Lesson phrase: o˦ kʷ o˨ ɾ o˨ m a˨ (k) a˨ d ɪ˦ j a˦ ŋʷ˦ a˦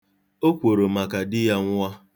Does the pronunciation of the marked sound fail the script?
no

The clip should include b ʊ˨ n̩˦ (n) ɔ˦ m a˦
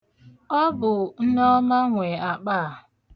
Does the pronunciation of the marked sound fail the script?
no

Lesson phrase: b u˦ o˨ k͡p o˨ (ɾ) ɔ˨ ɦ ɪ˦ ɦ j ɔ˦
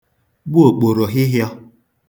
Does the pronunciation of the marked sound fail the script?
no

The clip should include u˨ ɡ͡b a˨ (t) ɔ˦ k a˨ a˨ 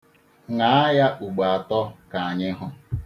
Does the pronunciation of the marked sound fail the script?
no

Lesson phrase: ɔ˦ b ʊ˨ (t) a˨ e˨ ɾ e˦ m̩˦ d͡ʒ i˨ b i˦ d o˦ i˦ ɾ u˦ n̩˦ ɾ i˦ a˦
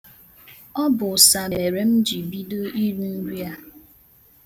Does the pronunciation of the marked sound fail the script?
yes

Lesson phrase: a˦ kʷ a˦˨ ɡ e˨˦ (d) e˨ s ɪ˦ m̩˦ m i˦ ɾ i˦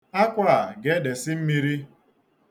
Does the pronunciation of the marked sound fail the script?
no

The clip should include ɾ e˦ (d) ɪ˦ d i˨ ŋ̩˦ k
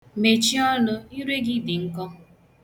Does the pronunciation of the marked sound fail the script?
yes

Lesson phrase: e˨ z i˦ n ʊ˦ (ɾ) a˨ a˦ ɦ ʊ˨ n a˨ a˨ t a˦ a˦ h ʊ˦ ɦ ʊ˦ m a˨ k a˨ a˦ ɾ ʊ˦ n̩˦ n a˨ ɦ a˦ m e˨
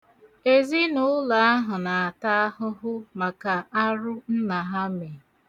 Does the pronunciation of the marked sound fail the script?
yes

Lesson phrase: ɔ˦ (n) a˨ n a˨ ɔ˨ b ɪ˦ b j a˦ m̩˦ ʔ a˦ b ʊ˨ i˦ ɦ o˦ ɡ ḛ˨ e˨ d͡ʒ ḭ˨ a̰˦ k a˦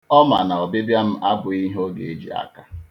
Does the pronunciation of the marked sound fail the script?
yes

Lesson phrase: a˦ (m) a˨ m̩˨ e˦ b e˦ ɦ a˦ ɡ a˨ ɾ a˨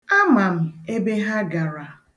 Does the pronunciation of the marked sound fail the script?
no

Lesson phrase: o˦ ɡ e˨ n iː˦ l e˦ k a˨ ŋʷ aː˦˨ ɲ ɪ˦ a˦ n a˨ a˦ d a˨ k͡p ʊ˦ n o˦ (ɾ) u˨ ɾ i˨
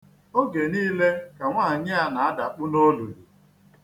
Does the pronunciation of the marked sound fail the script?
yes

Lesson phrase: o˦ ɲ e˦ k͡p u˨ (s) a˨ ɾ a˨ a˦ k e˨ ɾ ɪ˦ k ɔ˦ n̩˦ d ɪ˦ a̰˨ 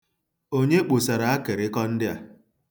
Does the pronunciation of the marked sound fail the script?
no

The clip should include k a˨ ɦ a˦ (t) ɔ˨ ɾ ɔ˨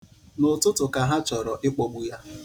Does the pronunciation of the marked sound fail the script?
yes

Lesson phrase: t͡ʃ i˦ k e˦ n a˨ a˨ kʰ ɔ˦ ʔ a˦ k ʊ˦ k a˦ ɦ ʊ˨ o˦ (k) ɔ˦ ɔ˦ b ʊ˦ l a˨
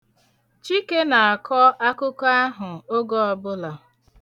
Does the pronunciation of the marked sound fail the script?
yes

